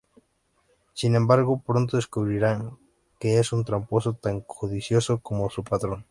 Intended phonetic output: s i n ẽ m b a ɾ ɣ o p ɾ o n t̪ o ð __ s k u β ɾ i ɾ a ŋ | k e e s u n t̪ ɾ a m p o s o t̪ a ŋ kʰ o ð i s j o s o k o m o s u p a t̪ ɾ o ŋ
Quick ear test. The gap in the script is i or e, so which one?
e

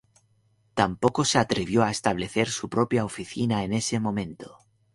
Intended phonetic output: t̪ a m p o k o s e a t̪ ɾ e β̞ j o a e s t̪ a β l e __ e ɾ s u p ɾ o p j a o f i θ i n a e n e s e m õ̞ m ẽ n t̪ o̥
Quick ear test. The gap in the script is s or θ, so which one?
θ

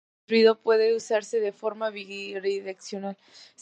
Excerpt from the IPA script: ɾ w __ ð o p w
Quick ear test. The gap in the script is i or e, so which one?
i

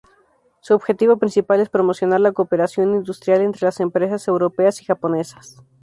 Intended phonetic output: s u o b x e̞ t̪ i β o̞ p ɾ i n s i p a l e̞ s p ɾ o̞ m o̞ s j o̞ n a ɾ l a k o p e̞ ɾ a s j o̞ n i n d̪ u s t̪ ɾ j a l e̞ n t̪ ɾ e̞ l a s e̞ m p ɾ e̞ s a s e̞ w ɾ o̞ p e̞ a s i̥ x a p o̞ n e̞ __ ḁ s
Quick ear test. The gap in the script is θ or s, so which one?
s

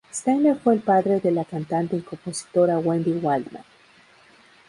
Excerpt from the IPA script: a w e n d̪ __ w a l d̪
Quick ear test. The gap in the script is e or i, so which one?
i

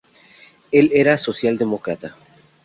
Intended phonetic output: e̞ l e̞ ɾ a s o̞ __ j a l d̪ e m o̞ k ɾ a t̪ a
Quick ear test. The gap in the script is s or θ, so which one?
s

